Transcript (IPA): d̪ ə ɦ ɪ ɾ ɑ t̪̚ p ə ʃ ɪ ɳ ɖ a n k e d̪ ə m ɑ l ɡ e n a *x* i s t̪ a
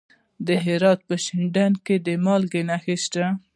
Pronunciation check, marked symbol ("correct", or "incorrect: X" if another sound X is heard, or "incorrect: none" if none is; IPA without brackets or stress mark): correct